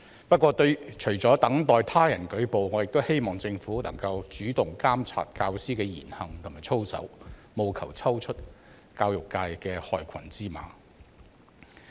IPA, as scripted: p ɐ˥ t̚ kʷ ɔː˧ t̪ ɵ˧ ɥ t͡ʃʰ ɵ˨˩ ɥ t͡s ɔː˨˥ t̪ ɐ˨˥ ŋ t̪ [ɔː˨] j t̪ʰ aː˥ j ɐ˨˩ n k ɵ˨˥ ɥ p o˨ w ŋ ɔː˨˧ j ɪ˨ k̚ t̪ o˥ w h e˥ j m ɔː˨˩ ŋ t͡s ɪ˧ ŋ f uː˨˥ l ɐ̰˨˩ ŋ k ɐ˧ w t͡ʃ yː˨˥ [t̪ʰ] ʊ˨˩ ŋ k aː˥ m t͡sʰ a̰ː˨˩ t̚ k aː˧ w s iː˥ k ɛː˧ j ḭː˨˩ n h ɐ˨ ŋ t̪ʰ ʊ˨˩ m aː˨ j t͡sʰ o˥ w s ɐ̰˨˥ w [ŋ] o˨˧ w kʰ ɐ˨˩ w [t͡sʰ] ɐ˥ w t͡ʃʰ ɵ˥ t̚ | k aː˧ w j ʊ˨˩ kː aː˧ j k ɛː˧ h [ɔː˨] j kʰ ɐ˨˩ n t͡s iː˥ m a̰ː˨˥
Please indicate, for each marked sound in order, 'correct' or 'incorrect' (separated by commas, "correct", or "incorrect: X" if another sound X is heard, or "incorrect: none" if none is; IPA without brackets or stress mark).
correct, incorrect: t̪, incorrect: m, correct, correct